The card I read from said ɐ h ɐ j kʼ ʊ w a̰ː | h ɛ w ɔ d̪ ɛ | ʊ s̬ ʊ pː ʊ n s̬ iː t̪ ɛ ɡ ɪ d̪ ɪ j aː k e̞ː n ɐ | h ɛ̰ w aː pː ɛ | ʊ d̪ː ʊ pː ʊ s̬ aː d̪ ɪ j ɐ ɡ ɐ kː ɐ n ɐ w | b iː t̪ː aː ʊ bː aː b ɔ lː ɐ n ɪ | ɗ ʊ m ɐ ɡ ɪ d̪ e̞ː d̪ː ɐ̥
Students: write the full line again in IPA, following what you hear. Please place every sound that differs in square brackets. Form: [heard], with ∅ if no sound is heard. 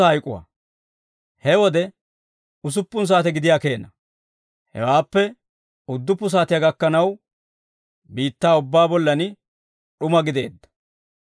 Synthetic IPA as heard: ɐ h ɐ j kʼ ʊ w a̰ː | h ɛ w ɔ d̪ ɛ | ʊ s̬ ʊ pː ʊ n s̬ [aː] t̪ ɛ ɡ ɪ d̪ ɪ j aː k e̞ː n ɐ | h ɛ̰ w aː pː ɛ | ʊ d̪ː ʊ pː ʊ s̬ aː [t̪] ɪ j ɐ ɡ ɐ kː ɐ n ɐ w | b iː t̪ː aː ʊ bː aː b ɔ lː ɐ n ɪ | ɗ ʊ m ɐ ɡ ɪ d̪ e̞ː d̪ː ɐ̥

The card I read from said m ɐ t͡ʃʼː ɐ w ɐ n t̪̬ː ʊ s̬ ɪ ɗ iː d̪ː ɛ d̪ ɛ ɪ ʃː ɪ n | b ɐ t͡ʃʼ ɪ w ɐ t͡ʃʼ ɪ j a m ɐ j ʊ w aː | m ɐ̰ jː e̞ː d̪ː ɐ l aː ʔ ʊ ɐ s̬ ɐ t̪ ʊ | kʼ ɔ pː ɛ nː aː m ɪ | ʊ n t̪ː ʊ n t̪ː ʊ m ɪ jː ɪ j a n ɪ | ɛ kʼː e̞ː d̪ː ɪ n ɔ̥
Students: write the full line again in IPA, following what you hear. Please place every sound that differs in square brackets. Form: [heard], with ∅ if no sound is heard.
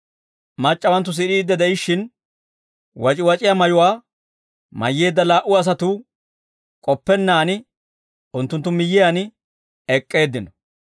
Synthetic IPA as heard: m ɐ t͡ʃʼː ɐ w ɐ n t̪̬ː ʊ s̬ ɪ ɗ iː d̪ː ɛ d̪ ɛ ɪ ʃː ɪ n | [w] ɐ t͡ʃʼ ɪ w ɐ t͡ʃʼ ɪ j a m ɐ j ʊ w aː | m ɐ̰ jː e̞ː d̪ː ɐ l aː ʔ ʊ ɐ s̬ ɐ t̪ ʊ | kʼ ɔ pː ɛ nː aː [n] ɪ | ʊ n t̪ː ʊ n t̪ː ʊ m ɪ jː ɪ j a n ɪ | ɛ kʼː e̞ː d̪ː ɪ n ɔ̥

